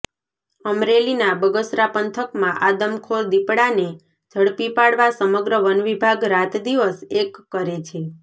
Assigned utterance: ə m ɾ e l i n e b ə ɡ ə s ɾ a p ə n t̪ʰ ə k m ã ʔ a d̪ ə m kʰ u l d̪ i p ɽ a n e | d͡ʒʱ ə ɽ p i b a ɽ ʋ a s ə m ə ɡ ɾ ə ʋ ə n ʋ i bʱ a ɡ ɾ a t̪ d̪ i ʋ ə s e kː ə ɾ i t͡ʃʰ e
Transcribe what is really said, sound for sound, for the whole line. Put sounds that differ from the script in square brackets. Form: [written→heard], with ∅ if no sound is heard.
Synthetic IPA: ə m ɾ e l i n [e→a] b ə ɡ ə s ɾ a p ə n t̪ʰ ə k m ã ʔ a d̪ ə m kʰ [u→o] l d̪ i p ɽ a n e | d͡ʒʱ ə ɽ p i [b→p] a ɽ ʋ a s ə m ə ɡ ɾ ə ʋ ə n ʋ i bʱ a ɡ ɾ a t̪ d̪ i ʋ ə s e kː ə ɾ [i→e] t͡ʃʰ e